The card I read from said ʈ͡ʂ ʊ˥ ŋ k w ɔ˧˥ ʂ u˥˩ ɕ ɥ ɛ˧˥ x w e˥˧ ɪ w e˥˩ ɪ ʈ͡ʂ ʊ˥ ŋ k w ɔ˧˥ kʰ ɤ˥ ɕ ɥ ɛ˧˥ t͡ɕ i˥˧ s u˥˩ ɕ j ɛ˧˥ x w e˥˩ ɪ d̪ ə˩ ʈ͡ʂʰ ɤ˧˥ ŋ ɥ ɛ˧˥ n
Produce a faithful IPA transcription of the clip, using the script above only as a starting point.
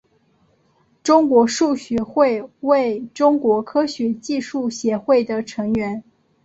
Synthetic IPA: ʈ͡ʂ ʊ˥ ŋ k w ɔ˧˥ ʂ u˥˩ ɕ ɥ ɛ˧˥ x w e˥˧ ɪ w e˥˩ ɪ ʈ͡ʂ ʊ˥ ŋ k w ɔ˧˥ kʰ ɤ˥ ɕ ɥ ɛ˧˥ t͡ɕ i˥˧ ʂ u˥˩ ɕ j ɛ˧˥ x w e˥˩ ɪ d̪ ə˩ ʈ͡ʂʰ ɤ˧˥ ŋ ɥ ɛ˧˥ n